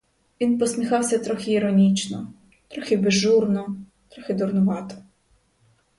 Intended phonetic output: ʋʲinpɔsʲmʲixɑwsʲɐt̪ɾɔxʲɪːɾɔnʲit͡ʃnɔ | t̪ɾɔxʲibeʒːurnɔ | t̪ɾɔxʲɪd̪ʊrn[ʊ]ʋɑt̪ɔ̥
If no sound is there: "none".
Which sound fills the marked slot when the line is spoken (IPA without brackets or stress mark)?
ʊ